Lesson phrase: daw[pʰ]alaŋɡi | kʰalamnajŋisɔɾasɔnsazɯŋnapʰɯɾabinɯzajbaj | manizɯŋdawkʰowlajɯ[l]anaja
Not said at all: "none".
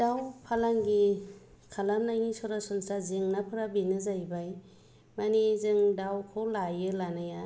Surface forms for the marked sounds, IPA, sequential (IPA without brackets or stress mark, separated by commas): pʰ, l